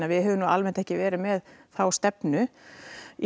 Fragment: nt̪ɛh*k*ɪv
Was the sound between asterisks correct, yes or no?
no